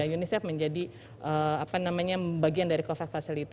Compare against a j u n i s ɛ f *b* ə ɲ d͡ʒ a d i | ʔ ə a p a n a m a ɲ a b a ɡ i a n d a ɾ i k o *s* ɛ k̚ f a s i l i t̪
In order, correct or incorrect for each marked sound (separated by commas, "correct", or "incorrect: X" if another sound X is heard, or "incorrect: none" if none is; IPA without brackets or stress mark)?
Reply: incorrect: m, incorrect: f